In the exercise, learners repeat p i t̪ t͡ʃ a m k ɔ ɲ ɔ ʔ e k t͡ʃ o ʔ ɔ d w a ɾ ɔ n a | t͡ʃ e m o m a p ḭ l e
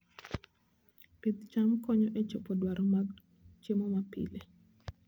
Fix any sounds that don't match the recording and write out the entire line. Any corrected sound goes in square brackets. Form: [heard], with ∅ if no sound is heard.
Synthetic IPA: p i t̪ t͡ʃ a m k ɔ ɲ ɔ ʔ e [∅] t͡ʃ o [p] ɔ d w a ɾ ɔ [m] a | t͡ʃ e m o m a p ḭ l e